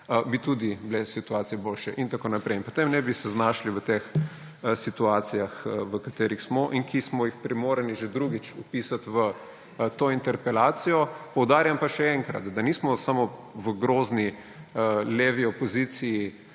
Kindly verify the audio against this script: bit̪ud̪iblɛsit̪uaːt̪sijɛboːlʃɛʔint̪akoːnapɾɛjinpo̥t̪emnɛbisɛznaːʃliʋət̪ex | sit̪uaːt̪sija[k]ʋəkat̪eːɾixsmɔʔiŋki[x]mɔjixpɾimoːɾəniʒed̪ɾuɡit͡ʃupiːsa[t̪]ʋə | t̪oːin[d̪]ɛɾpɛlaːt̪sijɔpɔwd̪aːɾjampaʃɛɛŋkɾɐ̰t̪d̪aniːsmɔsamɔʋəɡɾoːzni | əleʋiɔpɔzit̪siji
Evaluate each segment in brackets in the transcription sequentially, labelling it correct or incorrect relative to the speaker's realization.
incorrect, incorrect, correct, incorrect

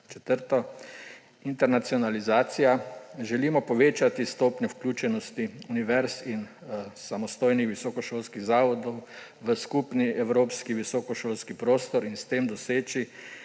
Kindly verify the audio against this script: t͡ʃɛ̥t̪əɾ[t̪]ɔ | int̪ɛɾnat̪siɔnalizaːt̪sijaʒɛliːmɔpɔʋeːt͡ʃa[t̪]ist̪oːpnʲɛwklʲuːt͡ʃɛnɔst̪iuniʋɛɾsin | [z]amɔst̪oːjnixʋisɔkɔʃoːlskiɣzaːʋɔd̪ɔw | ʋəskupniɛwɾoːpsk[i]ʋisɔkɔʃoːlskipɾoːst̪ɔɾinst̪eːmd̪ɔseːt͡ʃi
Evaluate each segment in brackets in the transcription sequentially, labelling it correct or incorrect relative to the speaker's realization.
correct, correct, incorrect, correct

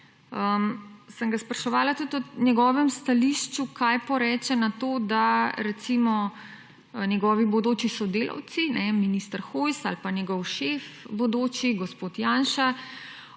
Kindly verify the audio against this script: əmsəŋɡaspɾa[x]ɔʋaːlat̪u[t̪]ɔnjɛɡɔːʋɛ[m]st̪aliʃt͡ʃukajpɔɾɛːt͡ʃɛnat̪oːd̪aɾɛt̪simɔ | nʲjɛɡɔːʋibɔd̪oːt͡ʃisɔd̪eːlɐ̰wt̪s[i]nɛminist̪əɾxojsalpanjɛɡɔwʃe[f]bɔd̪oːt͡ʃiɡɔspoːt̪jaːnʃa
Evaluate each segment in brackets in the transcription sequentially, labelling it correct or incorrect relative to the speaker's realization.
incorrect, correct, correct, correct, correct

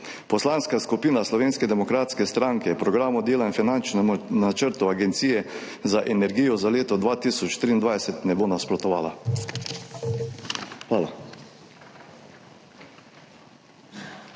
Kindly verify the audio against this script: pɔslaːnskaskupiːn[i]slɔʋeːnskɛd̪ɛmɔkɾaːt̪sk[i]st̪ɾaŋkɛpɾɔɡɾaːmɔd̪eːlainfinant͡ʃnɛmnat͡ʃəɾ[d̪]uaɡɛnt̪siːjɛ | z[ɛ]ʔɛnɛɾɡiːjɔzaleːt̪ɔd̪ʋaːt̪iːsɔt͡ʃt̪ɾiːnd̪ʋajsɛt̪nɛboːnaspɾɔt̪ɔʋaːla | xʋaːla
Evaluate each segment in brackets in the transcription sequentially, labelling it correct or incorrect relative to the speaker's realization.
incorrect, incorrect, incorrect, incorrect

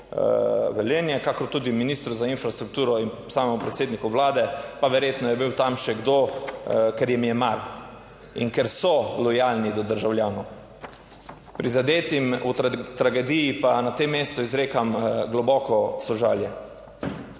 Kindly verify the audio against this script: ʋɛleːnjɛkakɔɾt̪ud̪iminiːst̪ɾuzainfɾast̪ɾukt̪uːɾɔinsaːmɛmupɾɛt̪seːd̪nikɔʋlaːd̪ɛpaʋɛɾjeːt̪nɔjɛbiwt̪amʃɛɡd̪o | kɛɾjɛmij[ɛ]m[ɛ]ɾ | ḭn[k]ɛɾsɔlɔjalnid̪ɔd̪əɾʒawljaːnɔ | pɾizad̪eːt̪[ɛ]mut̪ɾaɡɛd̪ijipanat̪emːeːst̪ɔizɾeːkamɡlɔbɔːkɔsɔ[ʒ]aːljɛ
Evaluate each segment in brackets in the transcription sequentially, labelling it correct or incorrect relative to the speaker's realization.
correct, incorrect, correct, incorrect, correct

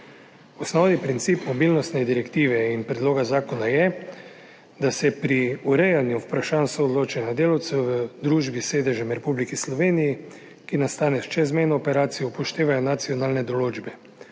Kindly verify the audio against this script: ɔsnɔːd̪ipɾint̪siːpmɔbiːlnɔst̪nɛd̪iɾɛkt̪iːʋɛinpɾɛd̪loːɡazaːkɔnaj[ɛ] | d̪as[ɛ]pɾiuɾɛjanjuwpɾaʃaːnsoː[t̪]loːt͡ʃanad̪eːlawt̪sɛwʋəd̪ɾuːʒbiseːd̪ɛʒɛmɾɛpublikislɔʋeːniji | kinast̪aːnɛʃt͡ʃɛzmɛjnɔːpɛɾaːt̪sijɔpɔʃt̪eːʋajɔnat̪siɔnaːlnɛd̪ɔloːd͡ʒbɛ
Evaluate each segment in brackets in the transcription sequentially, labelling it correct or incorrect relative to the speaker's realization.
correct, correct, incorrect

